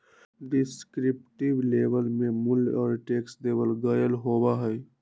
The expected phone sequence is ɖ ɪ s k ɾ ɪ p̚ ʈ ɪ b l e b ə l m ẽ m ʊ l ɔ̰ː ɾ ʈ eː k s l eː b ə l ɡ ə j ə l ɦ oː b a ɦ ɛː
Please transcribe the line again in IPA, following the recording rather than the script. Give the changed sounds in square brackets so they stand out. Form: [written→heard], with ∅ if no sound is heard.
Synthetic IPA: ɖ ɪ s k ɾ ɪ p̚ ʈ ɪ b l e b ə l m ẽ m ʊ l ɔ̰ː ɾ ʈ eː k s l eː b ə l ɡ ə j ə l ɦ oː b a ɦ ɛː